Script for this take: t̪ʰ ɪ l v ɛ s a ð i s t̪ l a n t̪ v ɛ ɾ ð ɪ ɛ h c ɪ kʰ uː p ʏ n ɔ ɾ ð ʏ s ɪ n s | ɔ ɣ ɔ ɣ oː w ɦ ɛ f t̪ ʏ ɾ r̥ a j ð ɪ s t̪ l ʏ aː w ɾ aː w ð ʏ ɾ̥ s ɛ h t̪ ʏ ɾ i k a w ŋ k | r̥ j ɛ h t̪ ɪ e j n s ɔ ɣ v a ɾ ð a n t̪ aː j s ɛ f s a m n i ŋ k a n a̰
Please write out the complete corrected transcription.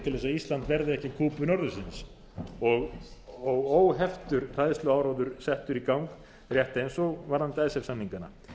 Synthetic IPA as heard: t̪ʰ ɪ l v ɛ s a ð i s t̪ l a n t̪ v ɛ ɾ ð ɪ ɛ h c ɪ kʰ uː p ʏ n ɔ ɾ ð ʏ s ɪ n s | ɔ ɣ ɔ ɣ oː w ɦ ɛ f t̪ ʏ ɾ r̥ a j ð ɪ s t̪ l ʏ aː w ɾ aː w ð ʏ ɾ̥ s ɛ h t̪ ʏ ɾ i k a w ŋ k | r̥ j ɛ h t̪ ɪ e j n s ɔ ɣ v a ɾ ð a n t̪ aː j s ɛ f s a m n i ŋ k a n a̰